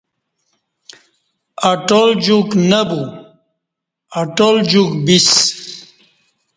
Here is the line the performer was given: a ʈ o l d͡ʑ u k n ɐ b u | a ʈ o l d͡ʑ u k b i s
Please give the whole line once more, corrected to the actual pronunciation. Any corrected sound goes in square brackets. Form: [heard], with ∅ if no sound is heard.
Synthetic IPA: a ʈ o l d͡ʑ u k n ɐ b u | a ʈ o l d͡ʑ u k b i s